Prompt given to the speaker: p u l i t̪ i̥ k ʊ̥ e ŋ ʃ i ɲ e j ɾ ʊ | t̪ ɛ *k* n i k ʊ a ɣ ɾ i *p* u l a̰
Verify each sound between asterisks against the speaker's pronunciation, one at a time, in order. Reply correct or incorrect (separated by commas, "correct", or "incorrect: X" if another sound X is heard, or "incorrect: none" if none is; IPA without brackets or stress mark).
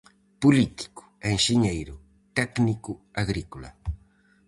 correct, incorrect: k